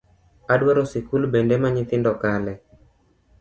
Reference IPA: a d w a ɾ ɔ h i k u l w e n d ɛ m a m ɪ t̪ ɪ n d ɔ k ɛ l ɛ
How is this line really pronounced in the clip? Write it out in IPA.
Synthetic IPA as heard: a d w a ɾ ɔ s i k u l b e n d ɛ m a ɲ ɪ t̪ ɪ n d ɔ k a l ɛ